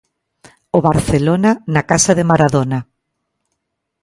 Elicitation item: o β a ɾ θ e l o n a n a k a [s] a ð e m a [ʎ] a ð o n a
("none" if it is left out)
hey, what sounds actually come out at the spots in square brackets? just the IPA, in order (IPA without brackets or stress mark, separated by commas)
s, ɾ